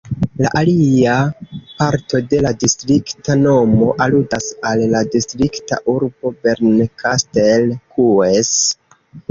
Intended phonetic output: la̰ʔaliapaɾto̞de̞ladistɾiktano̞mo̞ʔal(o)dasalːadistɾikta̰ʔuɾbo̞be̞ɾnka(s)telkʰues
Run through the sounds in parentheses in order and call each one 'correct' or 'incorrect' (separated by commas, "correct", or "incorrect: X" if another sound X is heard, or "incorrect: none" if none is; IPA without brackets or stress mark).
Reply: incorrect: u, correct